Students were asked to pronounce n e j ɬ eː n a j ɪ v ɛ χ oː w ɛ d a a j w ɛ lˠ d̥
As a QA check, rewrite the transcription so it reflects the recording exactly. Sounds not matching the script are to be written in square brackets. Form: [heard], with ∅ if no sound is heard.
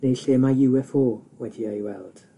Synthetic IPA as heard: n e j ɬ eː [m] a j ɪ [w] ɛ [f] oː w ɛ d [i] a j w ɛ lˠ d̥